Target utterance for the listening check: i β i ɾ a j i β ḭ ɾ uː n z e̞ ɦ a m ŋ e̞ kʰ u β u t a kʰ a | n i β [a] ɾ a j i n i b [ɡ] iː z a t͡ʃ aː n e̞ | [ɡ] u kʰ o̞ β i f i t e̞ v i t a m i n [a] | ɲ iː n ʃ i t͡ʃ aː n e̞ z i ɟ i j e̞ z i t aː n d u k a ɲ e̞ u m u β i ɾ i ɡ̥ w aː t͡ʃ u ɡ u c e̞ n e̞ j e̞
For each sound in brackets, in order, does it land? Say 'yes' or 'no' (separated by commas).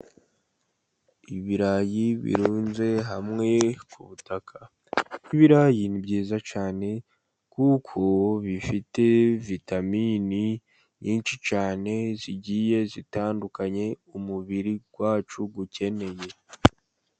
no, no, no, no